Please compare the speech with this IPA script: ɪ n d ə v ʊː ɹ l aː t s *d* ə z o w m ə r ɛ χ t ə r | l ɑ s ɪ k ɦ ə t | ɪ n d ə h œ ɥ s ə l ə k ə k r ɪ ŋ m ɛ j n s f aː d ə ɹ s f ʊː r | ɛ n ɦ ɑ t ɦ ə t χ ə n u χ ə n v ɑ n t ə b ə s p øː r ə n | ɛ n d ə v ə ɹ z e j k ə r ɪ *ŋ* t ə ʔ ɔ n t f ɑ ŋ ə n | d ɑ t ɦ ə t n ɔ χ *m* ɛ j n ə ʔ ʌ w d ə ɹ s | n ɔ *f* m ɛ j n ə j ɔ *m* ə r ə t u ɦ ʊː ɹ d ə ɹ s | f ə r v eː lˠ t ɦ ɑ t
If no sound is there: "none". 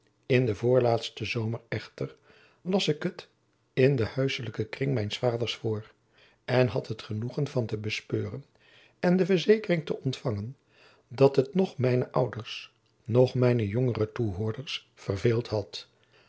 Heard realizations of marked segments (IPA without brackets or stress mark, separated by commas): t, ŋ, m, χ, ŋ